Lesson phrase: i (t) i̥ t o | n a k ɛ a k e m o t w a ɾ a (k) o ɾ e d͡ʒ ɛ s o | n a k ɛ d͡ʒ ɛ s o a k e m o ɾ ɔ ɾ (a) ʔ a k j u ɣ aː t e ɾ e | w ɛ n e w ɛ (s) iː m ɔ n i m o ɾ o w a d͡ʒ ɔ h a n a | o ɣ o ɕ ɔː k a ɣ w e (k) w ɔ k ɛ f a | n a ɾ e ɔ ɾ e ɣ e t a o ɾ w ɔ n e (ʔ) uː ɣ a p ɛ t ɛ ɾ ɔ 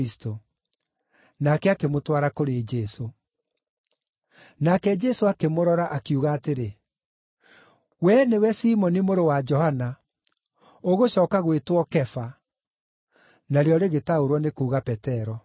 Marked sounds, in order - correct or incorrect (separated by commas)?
incorrect, correct, correct, correct, incorrect, incorrect